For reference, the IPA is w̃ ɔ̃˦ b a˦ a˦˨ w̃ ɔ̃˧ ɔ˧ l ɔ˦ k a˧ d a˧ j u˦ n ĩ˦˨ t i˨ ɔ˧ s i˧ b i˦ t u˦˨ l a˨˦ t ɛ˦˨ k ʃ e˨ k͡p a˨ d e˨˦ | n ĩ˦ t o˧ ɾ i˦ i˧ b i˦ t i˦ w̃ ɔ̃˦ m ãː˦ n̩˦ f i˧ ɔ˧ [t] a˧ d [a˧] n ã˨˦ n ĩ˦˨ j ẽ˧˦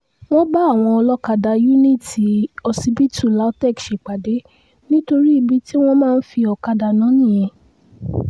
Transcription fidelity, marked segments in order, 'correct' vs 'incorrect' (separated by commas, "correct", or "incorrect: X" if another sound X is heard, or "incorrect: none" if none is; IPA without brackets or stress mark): incorrect: k, correct